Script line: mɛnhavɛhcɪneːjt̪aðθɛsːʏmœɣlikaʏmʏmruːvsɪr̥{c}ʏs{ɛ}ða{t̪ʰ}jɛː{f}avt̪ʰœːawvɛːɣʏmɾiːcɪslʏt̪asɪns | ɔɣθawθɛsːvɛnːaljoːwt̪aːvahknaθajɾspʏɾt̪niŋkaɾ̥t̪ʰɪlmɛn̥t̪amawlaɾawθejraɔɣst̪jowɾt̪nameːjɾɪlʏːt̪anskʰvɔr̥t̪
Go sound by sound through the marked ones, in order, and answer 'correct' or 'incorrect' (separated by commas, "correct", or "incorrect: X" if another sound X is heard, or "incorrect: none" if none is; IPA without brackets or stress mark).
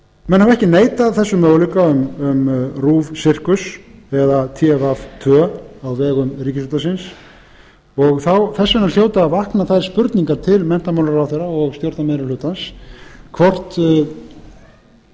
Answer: incorrect: k, correct, correct, incorrect: v